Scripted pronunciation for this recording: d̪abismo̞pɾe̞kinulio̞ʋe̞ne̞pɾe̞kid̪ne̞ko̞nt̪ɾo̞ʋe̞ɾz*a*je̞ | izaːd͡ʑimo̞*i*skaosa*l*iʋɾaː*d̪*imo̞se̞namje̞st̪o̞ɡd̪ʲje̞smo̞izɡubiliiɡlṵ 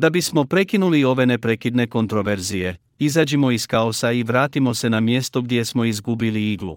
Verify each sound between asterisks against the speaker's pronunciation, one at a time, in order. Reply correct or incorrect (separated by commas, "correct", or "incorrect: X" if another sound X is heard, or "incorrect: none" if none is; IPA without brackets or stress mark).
incorrect: i, correct, incorrect: none, incorrect: t̪